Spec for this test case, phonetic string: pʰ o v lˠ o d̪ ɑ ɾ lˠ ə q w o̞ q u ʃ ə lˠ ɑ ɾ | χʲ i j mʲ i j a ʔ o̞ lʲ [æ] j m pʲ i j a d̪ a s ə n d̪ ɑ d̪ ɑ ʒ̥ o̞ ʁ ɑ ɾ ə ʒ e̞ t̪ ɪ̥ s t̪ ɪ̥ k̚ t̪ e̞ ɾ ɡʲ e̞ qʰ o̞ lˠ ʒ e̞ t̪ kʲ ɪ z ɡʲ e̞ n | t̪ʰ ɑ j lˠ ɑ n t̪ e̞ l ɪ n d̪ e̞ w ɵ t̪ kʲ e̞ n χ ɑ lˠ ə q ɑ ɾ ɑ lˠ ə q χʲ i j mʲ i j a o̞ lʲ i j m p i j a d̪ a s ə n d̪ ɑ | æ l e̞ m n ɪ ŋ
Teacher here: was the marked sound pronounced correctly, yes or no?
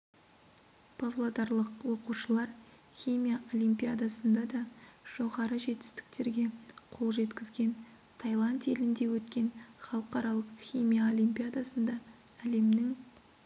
no